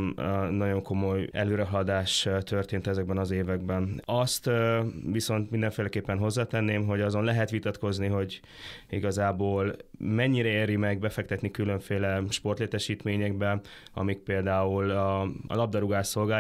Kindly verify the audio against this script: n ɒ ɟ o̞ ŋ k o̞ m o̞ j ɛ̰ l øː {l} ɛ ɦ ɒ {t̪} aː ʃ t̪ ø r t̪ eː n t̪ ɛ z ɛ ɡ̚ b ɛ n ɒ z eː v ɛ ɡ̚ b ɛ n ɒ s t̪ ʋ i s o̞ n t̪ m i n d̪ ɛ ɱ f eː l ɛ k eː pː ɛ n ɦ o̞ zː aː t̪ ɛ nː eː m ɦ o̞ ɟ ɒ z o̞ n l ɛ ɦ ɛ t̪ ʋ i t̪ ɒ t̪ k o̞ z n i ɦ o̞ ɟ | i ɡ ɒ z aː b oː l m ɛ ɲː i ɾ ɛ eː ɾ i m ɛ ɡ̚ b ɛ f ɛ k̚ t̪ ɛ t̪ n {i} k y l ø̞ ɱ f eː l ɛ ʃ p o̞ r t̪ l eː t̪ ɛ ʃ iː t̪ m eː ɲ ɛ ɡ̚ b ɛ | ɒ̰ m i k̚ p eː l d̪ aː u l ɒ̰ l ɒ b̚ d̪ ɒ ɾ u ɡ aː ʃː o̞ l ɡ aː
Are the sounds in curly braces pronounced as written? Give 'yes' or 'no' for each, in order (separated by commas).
no, no, yes